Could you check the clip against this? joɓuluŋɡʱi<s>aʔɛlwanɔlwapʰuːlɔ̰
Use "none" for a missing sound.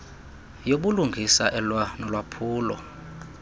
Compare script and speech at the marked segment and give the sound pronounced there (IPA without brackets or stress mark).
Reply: s